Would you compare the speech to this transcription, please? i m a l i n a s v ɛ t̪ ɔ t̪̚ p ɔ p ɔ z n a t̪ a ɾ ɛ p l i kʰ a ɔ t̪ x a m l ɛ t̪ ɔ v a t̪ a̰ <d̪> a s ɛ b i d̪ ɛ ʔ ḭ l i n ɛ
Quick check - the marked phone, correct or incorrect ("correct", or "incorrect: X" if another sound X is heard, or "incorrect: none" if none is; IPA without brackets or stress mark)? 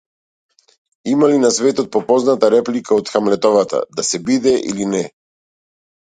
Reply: correct